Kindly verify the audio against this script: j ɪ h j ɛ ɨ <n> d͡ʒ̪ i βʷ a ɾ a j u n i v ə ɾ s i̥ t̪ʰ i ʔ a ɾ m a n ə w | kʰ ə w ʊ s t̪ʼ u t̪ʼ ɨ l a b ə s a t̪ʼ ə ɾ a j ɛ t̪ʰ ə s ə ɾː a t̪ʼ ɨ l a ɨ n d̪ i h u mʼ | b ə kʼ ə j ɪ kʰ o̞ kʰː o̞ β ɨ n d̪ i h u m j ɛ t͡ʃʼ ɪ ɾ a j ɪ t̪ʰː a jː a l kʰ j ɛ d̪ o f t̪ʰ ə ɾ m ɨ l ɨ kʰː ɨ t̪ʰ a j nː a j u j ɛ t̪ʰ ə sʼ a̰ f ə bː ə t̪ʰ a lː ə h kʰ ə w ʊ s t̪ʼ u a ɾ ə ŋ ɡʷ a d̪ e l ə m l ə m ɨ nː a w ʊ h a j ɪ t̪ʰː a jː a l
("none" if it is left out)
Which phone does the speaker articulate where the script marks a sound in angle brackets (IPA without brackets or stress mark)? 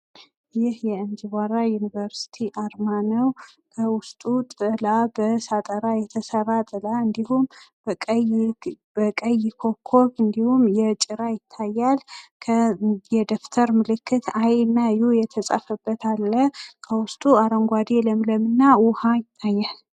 n